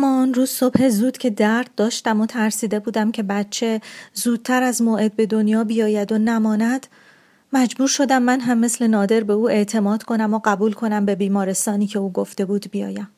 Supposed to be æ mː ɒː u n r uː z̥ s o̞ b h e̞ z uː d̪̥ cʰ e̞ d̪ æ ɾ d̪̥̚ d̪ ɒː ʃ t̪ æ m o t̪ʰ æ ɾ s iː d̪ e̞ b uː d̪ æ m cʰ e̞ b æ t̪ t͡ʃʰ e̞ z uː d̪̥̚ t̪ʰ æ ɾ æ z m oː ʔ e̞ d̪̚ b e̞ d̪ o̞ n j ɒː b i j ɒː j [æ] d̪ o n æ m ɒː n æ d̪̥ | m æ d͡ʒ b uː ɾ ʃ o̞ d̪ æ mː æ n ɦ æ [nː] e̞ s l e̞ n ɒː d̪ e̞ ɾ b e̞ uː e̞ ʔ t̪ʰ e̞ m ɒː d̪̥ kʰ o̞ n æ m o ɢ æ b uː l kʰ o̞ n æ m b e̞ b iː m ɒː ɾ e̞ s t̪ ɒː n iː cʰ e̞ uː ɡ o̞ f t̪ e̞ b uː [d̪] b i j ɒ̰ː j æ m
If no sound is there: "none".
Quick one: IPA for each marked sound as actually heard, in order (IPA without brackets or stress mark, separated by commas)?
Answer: æ, mː, d̪